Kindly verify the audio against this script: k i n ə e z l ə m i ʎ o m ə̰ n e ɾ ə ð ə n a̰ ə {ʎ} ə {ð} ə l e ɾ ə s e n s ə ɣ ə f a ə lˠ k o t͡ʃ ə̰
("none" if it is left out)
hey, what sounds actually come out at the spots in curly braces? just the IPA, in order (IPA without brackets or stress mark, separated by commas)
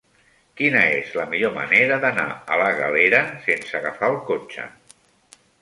l, ɣ